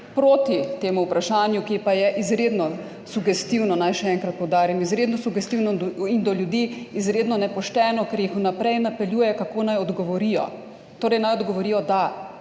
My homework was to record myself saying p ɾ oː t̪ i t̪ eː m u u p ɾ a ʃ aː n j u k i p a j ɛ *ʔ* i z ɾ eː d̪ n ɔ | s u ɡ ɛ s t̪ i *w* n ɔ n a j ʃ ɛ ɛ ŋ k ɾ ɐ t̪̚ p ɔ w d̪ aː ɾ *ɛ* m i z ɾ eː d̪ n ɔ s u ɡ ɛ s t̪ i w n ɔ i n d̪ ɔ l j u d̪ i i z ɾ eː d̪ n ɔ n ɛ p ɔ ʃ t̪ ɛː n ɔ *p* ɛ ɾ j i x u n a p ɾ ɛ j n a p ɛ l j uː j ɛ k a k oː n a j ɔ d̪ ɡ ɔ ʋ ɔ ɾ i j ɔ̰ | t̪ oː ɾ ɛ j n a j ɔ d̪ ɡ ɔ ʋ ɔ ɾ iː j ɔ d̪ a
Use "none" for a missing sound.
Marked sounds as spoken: ʔ, w, i, k

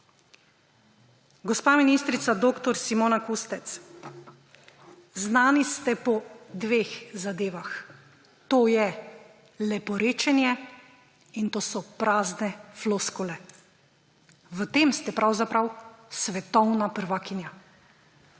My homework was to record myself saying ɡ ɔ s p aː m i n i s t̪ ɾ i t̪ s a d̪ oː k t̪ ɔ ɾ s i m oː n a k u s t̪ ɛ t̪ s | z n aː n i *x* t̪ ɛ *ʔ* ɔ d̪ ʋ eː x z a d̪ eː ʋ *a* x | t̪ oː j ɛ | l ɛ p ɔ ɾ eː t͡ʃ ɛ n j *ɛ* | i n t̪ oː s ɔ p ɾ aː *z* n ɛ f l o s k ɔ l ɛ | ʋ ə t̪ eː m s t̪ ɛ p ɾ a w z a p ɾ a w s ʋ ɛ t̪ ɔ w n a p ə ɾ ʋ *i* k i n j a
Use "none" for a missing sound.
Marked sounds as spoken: s, p, a, ɛ, z, a

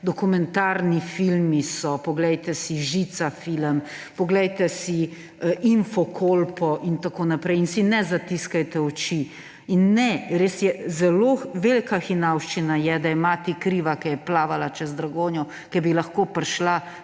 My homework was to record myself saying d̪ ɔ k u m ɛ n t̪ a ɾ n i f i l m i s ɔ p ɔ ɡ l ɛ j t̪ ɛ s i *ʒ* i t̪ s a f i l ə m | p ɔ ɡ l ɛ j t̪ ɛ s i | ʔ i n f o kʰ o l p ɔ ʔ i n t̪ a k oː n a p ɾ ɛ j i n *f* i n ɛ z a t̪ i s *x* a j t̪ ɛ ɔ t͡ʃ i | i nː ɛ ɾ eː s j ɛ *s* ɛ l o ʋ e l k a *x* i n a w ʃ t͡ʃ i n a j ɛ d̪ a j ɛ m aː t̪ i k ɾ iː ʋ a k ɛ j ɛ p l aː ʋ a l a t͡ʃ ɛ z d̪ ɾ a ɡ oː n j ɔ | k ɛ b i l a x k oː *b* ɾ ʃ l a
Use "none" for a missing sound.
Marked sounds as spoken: ʒ, s, k, z, x, p

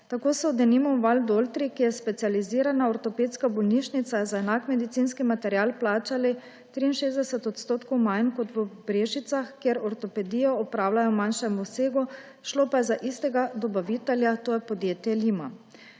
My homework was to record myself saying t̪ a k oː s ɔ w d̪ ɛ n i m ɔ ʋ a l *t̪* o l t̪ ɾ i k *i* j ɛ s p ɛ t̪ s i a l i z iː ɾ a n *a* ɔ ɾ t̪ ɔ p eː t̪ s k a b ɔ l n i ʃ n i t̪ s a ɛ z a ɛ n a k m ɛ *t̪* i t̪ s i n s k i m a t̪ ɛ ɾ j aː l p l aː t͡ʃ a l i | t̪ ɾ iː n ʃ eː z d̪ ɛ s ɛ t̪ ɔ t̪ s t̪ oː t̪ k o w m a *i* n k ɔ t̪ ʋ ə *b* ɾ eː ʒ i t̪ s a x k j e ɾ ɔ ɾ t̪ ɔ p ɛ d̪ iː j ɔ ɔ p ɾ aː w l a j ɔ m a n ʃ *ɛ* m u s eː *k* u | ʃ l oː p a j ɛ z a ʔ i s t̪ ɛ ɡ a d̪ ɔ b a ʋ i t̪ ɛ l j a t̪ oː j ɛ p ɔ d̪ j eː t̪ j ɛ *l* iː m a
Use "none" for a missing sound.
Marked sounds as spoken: d̪, i, a, d̪, j, b, ɛ, ɡ, l

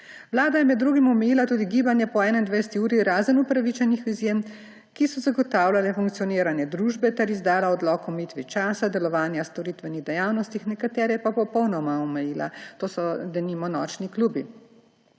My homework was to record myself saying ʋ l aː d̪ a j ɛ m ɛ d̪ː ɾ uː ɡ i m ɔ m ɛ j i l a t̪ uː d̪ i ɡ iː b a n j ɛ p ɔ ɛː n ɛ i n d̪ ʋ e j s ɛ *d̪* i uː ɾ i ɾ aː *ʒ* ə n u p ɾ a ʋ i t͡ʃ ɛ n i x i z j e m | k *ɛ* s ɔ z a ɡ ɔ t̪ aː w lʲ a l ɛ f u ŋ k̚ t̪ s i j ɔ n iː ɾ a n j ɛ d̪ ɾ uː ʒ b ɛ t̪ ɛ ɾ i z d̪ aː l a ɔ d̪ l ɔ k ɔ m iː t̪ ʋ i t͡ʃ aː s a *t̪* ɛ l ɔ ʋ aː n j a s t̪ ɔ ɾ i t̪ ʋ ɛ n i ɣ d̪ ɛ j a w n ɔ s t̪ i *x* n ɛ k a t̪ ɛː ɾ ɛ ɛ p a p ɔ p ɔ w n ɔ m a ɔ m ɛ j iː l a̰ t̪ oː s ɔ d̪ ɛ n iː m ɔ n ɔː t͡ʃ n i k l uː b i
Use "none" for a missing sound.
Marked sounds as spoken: t̪, z, i, d̪, x

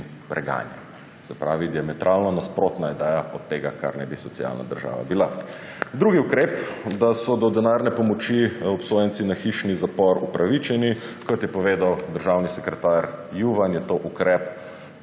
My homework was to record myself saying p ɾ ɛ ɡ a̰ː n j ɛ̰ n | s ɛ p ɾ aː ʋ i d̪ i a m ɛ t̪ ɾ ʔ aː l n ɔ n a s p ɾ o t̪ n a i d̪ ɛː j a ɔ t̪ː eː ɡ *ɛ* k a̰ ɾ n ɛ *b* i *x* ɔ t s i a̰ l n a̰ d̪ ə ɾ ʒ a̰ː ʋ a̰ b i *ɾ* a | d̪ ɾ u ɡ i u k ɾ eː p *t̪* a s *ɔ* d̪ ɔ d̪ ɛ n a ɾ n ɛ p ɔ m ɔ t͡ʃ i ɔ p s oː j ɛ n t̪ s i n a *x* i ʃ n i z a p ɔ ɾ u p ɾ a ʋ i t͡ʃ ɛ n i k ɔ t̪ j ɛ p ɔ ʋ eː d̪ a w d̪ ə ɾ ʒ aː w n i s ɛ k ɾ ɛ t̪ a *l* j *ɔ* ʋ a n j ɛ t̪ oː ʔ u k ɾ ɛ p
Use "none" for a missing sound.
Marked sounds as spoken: a, b, s, l, d̪, ɔ, x, ɾ, u

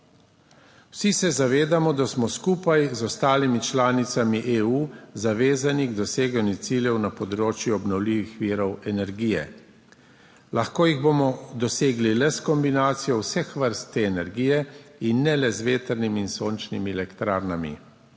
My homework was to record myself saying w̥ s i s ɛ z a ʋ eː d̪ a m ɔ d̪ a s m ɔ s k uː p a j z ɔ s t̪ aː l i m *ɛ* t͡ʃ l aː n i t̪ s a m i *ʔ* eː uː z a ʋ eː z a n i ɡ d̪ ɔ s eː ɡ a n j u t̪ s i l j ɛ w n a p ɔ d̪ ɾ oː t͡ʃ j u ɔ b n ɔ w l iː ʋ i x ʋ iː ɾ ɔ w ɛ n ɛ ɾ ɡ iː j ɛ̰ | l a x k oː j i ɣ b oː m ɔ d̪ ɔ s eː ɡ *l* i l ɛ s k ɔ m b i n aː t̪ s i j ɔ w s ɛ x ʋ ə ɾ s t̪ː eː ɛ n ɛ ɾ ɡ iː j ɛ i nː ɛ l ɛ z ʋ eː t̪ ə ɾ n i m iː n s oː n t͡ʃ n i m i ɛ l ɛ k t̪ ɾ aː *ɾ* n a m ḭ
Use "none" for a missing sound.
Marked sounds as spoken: i, ʔ, l, ɾ

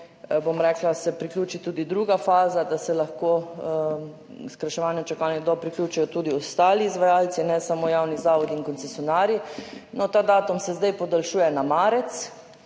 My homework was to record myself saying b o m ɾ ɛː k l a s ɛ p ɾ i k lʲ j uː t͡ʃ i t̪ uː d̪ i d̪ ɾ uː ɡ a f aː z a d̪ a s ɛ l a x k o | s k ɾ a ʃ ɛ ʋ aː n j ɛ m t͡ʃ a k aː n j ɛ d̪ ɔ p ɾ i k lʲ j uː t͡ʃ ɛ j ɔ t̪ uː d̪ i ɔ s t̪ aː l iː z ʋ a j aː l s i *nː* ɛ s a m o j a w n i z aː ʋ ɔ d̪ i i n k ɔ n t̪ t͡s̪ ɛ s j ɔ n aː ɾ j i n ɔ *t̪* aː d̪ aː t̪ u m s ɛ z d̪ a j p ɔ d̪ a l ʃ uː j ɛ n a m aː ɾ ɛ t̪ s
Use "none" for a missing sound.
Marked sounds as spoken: n, t̪

